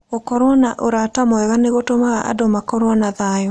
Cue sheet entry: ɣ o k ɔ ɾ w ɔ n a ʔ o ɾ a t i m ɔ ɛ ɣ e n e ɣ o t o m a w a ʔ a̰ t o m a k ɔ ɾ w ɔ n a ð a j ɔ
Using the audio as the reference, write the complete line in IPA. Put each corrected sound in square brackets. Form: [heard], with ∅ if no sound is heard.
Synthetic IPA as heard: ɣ o k ɔ ɾ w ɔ n a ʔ o ɾ a t [a] m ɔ ɛ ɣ [a] n e ɣ o t o m a [ɣ] a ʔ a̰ [d] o m a k ɔ ɾ w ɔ n a ð a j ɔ